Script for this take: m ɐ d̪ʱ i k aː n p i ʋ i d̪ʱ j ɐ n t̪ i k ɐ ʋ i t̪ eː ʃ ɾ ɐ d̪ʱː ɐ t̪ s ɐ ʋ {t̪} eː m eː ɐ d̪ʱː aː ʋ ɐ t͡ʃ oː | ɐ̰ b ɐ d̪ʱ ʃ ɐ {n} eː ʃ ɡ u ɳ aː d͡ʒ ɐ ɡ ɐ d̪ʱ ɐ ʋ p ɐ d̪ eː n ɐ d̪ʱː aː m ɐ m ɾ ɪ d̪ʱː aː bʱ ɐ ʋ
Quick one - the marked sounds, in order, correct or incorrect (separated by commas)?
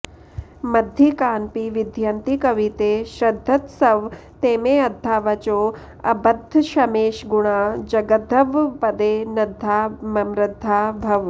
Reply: correct, incorrect